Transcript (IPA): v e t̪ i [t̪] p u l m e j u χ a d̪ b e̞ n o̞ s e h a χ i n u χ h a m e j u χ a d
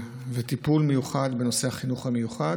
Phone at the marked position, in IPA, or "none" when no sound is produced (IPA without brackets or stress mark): none